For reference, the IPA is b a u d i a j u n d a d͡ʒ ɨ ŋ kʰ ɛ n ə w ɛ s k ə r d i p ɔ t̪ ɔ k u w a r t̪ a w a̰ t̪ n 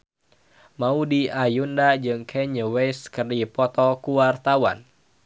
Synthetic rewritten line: m a u d i a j u n d a d͡ʒ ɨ ŋ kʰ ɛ ɲ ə w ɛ s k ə r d i p ɔ t̪ ɔ k u w a r t̪ a w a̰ n